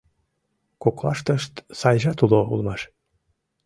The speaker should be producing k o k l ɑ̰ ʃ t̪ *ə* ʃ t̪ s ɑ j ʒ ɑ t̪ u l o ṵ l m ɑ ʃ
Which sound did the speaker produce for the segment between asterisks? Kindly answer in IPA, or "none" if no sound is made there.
ə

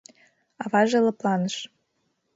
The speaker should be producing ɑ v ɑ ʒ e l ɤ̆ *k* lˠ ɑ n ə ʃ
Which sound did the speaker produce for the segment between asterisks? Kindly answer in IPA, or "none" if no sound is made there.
p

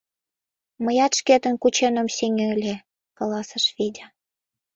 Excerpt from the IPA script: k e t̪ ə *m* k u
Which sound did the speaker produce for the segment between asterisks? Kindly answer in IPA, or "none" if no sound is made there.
n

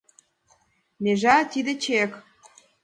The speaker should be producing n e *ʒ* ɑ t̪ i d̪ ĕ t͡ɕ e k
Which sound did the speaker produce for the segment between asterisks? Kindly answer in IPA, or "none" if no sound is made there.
ʒ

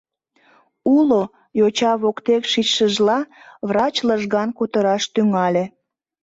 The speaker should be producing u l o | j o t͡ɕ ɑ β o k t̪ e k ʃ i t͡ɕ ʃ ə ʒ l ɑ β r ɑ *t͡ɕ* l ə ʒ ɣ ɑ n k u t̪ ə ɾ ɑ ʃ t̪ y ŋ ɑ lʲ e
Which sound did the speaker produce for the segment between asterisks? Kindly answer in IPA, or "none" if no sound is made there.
t͡ɕ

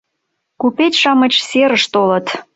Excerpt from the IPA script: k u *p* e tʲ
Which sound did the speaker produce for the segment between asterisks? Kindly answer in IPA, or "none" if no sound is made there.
p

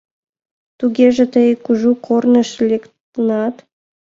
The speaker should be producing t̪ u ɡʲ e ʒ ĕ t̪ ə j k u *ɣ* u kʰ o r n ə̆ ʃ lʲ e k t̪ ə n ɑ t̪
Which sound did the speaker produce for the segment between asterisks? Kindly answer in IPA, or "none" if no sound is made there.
ʒ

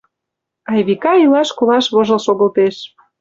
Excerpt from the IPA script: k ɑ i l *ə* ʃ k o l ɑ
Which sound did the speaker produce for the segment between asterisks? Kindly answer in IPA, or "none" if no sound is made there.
ɑ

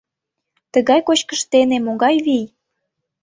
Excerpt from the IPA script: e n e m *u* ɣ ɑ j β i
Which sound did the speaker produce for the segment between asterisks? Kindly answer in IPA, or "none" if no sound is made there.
o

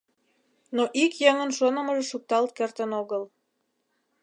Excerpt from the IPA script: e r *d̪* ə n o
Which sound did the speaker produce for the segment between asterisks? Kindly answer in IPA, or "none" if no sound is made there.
t̪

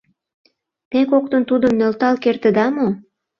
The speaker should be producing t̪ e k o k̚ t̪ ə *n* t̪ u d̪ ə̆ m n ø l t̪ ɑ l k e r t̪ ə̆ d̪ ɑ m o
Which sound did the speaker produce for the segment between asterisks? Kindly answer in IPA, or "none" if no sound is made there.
n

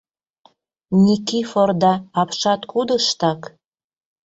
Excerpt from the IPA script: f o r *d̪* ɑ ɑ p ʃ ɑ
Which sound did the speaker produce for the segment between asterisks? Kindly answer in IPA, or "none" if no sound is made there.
d̪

